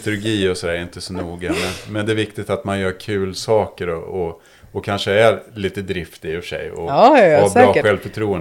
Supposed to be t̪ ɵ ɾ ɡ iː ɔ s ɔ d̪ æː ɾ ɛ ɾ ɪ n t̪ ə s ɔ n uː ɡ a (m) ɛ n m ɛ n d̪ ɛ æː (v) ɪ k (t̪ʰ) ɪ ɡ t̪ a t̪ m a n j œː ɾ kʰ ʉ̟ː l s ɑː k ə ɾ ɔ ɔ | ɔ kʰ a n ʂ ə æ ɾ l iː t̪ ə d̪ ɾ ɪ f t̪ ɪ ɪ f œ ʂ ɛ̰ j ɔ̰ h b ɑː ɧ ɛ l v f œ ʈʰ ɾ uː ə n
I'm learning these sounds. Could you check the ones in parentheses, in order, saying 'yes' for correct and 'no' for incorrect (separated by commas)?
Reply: yes, yes, no